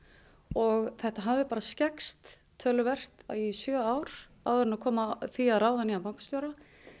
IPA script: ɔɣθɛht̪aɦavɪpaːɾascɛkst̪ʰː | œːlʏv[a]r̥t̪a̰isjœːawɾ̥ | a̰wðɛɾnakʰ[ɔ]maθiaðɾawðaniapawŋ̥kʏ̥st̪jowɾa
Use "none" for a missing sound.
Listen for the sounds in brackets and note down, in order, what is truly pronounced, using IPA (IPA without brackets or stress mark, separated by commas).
ɛ, ɔː